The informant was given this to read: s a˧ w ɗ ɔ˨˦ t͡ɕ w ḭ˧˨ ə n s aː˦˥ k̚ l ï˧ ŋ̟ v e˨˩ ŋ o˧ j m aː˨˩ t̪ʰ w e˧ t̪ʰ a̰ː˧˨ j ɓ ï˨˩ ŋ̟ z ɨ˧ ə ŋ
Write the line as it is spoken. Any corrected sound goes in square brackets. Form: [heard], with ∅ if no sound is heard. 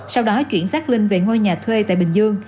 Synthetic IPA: s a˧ w ɗ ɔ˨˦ t͡ɕ w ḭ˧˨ ə n s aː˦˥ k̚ l ï˧ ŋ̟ v e˨˩ ŋ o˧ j [ɲ] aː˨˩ t̪ʰ w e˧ [t̪] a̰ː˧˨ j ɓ ï˨˩ ŋ̟ z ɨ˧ ə ŋ